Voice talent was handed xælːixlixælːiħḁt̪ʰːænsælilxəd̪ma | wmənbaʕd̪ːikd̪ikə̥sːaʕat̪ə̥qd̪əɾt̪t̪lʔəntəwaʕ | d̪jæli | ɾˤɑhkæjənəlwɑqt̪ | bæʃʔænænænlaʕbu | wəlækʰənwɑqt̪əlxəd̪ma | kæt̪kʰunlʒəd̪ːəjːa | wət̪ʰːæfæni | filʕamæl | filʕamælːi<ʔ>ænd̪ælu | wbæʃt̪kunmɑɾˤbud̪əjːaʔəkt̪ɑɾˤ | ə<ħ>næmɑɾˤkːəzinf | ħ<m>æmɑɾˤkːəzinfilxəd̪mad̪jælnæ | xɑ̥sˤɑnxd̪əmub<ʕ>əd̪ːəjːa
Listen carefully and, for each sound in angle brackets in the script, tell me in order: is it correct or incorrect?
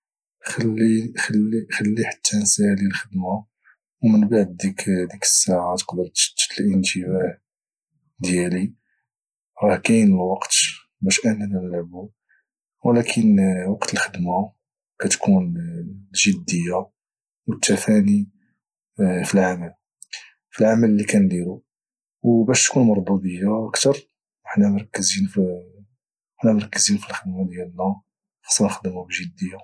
incorrect, correct, incorrect, incorrect

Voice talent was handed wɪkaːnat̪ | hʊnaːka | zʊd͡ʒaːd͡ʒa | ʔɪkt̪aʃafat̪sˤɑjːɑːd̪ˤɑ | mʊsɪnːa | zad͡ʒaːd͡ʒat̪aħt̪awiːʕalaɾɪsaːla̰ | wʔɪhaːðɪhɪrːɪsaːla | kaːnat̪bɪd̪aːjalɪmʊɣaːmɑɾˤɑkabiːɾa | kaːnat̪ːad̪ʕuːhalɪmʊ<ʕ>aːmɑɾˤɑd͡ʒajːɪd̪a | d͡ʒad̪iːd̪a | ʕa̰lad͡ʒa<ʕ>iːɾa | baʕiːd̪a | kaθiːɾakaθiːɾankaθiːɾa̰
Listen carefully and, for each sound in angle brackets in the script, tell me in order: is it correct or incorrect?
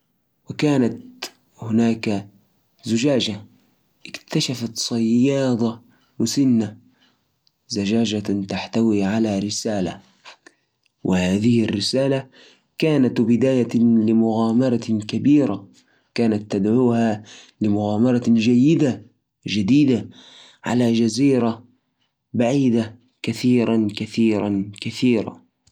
incorrect, incorrect

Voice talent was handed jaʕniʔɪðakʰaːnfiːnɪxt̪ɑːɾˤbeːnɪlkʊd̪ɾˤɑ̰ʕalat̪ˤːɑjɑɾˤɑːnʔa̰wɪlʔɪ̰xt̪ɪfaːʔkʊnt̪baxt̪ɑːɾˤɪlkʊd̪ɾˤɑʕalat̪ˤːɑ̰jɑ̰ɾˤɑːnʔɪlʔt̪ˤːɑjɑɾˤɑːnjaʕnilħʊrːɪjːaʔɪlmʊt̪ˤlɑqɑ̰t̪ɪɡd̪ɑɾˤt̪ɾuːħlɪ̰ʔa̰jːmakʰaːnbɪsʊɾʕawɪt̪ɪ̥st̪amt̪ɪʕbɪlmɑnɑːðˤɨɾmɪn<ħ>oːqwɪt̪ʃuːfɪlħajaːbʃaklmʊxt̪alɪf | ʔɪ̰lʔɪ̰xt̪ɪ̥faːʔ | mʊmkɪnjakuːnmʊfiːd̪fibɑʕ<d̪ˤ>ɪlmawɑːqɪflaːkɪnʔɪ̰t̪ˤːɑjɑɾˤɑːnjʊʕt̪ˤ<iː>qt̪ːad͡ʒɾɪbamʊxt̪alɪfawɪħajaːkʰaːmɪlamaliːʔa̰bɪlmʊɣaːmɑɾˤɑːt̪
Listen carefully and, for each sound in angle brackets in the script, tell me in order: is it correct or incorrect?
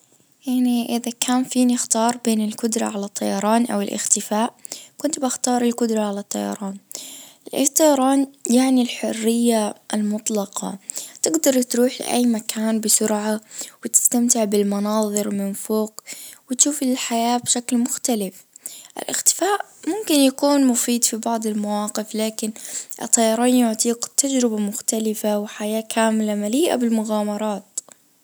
incorrect, correct, correct

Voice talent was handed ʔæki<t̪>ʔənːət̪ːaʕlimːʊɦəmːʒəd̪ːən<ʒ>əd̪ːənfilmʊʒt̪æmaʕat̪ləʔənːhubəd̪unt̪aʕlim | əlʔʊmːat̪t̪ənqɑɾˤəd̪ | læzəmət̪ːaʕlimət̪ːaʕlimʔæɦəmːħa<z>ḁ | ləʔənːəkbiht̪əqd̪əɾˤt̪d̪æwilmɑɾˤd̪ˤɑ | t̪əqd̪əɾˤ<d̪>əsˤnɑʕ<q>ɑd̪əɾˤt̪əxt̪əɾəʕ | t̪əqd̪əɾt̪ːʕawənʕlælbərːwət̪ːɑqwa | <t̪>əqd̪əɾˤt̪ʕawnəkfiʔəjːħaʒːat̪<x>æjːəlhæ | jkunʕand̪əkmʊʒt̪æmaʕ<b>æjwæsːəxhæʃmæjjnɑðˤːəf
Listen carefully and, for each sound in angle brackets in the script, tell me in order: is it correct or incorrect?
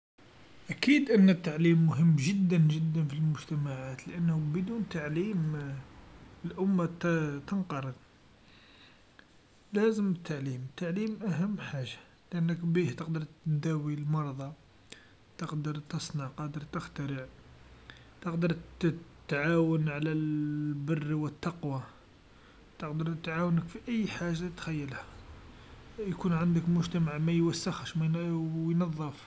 incorrect, correct, incorrect, incorrect, correct, correct, correct, incorrect

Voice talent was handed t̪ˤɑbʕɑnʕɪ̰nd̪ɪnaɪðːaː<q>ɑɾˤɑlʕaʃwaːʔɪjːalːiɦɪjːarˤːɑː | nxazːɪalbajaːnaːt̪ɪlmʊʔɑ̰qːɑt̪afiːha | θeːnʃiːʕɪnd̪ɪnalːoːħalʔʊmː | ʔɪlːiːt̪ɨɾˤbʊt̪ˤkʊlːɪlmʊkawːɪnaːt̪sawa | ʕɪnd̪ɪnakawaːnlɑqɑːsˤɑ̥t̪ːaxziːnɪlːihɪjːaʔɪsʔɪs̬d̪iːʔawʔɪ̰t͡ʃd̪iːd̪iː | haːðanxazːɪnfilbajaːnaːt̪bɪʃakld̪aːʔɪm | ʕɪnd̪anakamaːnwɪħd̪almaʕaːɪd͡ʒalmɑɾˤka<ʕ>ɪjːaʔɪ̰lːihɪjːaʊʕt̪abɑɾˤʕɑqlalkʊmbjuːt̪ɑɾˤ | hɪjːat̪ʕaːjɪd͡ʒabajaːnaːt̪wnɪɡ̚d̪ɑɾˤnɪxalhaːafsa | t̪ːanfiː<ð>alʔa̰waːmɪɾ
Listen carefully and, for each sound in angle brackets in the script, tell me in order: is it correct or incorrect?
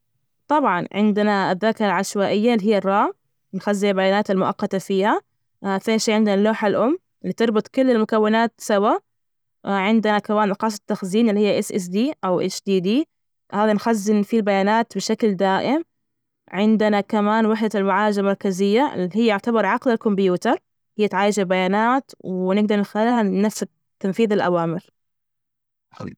incorrect, incorrect, correct

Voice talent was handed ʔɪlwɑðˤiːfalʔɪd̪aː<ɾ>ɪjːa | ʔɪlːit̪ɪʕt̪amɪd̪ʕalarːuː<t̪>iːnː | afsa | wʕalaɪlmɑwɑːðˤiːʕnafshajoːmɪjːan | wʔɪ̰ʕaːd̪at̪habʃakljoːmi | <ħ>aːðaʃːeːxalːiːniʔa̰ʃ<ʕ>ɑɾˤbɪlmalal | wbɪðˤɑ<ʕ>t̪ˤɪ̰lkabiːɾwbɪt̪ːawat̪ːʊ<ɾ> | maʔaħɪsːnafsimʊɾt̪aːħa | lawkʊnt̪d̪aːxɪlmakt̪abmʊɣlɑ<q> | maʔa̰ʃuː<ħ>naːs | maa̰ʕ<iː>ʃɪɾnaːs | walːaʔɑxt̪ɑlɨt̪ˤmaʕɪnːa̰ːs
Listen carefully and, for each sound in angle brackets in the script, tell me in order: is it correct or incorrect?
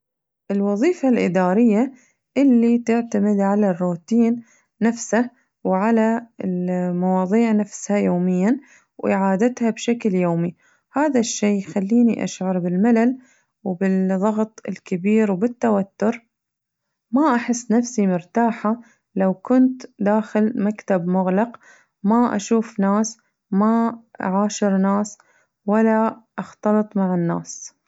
correct, correct, incorrect, correct, incorrect, correct, correct, incorrect, incorrect

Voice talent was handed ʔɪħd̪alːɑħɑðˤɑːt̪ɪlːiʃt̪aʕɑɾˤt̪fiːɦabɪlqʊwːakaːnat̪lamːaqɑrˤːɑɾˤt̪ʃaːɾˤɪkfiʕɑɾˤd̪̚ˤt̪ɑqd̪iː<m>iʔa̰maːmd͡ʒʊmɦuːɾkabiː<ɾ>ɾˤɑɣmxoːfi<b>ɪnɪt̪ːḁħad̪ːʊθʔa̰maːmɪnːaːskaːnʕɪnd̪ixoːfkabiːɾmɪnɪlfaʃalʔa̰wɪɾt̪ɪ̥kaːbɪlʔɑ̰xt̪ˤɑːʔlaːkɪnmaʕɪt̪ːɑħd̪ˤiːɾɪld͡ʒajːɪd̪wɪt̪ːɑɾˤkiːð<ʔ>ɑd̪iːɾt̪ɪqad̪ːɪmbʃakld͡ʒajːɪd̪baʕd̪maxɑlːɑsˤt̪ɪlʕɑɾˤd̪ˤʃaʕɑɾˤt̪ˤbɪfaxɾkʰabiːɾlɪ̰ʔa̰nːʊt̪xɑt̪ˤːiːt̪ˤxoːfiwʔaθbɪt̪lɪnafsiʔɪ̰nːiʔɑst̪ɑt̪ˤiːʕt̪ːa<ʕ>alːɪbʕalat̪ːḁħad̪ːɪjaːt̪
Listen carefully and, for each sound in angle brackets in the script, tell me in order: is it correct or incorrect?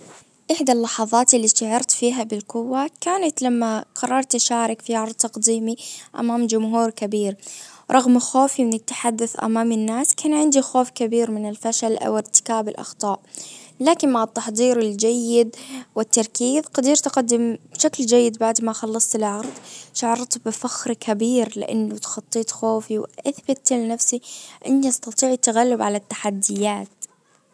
correct, correct, incorrect, incorrect, incorrect

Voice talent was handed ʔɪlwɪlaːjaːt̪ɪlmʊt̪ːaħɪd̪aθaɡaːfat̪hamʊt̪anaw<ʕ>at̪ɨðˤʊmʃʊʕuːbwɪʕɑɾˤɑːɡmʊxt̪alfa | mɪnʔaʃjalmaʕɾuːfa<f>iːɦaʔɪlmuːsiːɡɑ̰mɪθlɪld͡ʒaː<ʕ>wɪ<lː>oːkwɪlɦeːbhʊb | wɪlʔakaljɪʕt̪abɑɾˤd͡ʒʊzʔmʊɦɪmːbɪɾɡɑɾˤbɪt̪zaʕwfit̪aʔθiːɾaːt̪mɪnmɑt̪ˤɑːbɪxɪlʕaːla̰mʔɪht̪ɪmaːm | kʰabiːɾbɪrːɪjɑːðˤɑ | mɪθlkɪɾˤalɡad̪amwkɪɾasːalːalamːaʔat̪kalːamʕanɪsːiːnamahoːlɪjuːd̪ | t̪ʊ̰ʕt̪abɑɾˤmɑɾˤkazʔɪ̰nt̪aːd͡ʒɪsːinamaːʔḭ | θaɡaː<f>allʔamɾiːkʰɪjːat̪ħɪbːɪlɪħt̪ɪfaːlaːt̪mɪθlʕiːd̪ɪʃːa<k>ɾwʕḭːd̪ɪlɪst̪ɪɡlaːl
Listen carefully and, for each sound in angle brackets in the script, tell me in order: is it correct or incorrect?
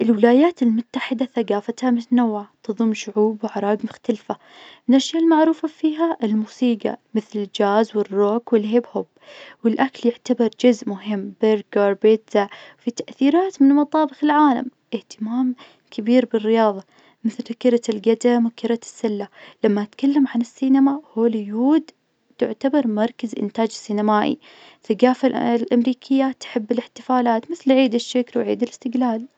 correct, correct, incorrect, incorrect, correct, correct

